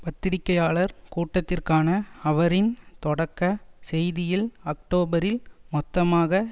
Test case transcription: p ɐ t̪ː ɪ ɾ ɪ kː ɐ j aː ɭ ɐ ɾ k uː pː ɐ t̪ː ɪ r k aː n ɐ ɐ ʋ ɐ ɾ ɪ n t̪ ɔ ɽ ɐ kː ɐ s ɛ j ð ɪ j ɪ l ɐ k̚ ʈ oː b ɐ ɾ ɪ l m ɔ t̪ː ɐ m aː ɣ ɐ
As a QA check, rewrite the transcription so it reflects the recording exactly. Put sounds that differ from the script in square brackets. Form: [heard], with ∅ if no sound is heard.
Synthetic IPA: p ɐ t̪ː ɪ ɾ ɪ kː ɐ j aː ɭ ɐ ɾ k uː [ʈː] ɐ t̪ː ɪ r k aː n ɐ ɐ ʋ ɐ ɾ ɪ n t̪ ɔ ɽ ɐ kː ɐ s ɛ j ð ɪ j ɪ l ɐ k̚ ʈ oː b ɐ ɾ ɪ l m ɔ t̪ː ɐ m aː ɣ ɐ